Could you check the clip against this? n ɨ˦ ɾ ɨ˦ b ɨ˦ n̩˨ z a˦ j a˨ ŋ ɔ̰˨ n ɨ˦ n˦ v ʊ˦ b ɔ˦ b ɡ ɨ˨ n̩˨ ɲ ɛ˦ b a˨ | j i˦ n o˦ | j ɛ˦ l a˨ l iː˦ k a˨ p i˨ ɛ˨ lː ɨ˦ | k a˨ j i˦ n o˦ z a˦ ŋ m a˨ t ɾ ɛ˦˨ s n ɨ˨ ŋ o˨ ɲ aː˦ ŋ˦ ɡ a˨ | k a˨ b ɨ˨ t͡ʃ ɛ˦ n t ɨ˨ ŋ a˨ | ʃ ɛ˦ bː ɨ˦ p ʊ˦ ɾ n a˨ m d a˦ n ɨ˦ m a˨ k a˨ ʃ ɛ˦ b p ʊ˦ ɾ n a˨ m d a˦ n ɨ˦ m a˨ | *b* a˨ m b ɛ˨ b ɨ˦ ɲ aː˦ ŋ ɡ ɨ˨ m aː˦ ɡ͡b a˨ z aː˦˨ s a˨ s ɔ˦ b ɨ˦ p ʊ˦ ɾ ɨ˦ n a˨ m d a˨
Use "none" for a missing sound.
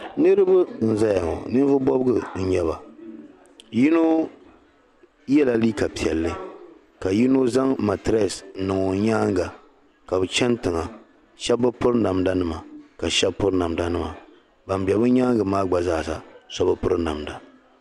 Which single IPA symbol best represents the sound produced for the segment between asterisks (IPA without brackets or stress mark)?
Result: b